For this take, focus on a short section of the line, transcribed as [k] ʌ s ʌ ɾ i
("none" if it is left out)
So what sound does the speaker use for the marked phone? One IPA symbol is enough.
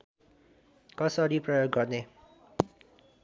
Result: k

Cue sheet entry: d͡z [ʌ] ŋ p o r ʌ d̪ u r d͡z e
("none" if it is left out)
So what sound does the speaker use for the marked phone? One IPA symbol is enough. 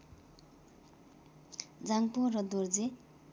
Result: a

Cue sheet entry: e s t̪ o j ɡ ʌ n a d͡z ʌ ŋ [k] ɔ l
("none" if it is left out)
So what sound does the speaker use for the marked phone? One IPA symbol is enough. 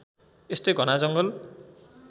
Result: ɡ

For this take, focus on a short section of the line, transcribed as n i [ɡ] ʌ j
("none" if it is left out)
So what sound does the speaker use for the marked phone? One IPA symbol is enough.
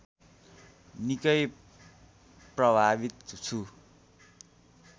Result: k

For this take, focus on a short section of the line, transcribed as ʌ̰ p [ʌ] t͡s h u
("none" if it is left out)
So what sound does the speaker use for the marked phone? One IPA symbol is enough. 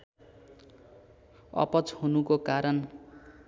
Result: ʌ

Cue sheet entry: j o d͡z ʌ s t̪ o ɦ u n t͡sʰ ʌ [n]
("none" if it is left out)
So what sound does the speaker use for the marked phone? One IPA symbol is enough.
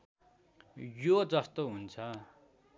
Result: none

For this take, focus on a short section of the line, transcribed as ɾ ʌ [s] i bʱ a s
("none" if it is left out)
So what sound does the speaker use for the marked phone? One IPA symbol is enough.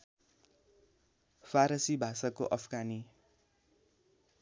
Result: s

